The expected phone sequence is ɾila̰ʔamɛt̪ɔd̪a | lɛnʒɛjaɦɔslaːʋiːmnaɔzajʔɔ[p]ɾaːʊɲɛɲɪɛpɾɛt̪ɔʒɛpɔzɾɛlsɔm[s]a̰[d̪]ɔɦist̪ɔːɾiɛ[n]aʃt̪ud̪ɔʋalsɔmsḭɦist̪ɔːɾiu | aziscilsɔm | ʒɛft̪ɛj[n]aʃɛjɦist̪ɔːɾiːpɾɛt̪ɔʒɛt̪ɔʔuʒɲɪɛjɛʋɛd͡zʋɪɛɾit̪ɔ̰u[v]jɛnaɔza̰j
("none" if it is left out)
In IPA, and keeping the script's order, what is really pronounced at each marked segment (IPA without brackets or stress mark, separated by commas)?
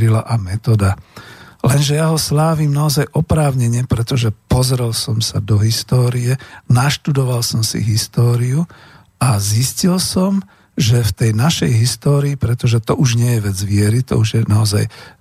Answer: p, s, d̪, n, n, ʒ